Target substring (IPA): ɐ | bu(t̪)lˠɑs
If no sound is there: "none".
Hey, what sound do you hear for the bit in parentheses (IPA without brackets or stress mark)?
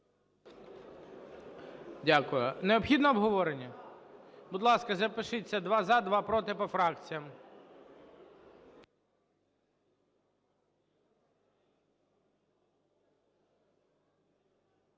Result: d̪